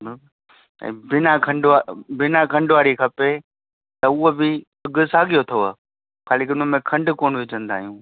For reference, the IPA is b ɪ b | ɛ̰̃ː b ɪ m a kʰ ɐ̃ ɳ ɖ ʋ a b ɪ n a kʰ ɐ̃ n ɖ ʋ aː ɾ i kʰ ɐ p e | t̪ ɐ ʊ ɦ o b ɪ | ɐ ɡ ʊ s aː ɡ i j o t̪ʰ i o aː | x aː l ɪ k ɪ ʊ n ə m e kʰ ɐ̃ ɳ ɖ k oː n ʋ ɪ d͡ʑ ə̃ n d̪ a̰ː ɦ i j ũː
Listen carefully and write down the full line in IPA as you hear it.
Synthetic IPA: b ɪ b | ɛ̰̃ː b ɪ n a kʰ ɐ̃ ɳ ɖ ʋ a b ɪ n a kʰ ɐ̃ ɳ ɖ ʋ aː ɾ i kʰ ɐ p e | t̪ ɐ ʊ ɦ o b ɪ | ɐ ɡ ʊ s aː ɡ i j o t̪ʰ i o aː | x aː l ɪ k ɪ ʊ n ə m ẽ kʰ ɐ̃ ɳ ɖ k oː n ʋ ɪ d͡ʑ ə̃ n d̪ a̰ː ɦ i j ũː